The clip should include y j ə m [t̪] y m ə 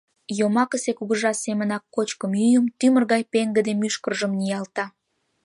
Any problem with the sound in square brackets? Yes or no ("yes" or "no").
no